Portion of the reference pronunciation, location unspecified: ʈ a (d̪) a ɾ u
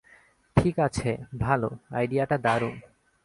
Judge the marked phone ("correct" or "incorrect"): correct